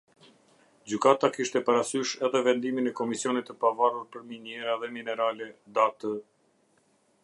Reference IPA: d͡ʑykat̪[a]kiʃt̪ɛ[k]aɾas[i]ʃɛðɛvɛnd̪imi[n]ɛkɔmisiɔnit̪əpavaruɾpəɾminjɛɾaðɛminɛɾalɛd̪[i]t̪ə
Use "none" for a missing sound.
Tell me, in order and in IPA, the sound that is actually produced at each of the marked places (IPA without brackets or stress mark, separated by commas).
a, p, y, n, a